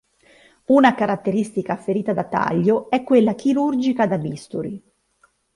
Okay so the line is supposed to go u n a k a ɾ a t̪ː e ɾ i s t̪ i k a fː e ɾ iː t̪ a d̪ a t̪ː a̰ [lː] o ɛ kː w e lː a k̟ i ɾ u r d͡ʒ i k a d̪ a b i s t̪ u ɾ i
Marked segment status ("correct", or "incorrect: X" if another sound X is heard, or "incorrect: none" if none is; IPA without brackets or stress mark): incorrect: ʎː